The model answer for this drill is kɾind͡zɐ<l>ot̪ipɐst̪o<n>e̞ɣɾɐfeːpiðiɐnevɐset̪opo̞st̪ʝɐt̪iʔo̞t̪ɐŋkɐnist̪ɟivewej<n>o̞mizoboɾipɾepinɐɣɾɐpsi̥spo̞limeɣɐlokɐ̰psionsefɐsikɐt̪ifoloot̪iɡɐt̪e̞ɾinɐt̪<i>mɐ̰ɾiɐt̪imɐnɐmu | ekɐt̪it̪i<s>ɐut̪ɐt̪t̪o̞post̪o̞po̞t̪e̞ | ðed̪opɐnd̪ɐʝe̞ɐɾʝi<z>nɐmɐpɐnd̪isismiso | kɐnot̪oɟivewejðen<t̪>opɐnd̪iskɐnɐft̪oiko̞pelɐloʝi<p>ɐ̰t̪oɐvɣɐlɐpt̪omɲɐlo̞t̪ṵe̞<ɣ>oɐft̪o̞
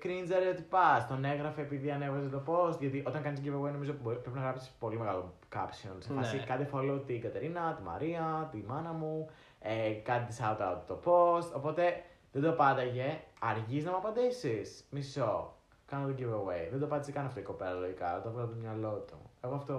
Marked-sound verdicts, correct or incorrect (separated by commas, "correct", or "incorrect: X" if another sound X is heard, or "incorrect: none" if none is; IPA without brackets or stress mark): incorrect: ɾ, correct, correct, correct, correct, correct, incorrect: d̪, incorrect: k, correct